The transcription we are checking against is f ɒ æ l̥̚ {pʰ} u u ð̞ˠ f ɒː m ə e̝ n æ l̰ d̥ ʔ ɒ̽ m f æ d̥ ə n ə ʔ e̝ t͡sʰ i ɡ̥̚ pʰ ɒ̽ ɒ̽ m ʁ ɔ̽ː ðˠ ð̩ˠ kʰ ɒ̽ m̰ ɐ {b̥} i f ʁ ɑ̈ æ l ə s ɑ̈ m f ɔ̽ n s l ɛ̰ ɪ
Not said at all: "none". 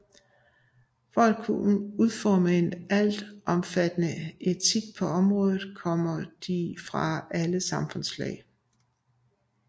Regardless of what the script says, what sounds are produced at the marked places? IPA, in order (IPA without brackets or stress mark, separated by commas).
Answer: kʰ, d̥